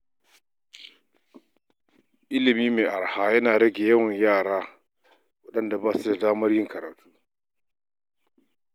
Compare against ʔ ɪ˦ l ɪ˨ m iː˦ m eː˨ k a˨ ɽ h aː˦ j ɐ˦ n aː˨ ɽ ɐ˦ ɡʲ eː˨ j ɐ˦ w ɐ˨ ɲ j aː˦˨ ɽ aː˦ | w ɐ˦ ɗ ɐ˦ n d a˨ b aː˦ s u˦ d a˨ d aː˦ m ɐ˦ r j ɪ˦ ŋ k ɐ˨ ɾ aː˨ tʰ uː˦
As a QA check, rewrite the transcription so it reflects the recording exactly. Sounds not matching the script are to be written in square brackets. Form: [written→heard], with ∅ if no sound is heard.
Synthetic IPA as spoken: ʔ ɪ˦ l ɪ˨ m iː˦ m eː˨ [k→ʔ] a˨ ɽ h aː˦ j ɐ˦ n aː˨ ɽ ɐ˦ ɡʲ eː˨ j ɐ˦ w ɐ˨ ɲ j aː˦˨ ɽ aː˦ | w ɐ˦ ɗ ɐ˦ n d a˨ b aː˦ s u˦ d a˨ d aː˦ m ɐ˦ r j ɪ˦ ŋ k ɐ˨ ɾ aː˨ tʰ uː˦